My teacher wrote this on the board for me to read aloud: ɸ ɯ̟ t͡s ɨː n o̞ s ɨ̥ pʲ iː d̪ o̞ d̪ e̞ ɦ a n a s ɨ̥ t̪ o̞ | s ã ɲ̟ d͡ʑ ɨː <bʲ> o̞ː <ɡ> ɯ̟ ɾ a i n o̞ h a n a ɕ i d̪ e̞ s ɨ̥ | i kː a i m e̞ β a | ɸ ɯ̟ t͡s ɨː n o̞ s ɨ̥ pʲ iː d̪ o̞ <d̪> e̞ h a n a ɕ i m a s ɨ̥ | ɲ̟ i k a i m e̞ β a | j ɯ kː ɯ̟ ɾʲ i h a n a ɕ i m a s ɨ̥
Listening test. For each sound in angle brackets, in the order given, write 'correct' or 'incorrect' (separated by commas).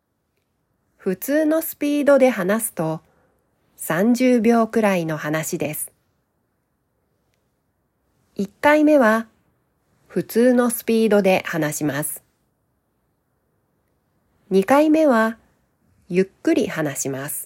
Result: correct, incorrect, correct